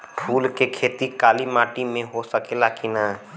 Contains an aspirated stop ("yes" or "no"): yes